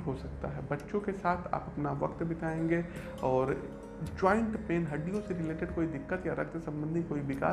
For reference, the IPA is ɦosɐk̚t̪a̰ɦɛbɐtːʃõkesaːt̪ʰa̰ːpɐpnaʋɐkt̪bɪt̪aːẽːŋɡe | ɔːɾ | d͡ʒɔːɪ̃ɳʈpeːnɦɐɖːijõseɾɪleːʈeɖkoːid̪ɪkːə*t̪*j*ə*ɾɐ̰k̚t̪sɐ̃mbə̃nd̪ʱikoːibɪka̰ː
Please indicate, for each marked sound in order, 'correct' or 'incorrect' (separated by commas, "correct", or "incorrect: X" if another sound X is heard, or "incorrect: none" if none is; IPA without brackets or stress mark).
correct, incorrect: a